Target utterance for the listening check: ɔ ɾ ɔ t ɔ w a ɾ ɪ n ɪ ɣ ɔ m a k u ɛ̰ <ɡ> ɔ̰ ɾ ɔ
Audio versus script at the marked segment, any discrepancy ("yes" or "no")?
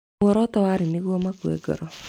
no